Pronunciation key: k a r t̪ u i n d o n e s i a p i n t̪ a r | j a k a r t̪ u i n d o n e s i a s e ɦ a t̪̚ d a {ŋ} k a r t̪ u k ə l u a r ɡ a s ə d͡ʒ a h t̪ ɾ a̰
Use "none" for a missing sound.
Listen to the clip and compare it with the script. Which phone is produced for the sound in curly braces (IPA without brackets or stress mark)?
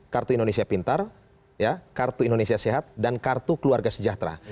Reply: n